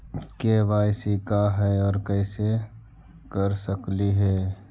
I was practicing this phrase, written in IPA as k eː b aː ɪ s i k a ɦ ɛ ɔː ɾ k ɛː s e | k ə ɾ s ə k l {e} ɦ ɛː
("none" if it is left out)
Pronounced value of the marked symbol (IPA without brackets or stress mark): i